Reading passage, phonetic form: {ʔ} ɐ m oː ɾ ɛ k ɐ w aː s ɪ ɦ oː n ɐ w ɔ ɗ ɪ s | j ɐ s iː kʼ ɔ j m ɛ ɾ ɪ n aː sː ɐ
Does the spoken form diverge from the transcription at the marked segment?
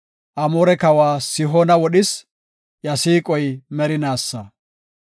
no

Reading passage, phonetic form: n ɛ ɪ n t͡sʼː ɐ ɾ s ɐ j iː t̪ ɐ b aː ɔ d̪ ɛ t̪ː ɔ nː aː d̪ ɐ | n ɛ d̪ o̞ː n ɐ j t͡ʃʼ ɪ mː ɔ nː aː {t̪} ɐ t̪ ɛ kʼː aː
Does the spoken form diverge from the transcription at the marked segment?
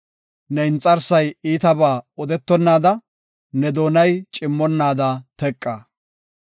yes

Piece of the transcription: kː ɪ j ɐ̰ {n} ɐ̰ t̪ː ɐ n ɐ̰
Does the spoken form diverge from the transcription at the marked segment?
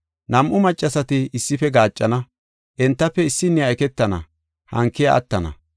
yes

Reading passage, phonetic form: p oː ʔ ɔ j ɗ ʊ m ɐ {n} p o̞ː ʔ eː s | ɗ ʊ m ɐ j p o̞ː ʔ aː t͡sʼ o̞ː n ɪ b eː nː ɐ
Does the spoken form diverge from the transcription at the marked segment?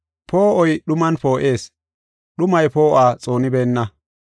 no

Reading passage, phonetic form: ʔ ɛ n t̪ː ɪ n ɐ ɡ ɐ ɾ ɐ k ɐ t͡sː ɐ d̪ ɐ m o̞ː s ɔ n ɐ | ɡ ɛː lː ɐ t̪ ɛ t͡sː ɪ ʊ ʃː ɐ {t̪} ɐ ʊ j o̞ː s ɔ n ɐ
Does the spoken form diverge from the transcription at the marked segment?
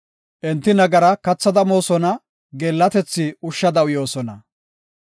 yes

